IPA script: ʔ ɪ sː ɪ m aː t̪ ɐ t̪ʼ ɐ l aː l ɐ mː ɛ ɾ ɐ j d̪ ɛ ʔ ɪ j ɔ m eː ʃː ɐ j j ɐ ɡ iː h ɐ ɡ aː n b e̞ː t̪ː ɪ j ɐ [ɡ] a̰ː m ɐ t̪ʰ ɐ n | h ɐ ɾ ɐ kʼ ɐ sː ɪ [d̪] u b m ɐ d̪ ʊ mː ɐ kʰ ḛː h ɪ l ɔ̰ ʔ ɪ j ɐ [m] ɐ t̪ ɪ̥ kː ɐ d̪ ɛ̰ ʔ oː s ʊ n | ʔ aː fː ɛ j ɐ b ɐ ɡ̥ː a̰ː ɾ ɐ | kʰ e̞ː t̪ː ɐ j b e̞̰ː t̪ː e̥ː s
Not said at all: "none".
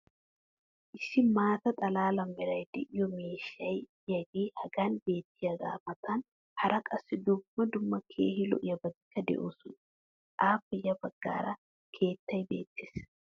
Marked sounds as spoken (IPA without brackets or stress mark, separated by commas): ɡ, d̪, b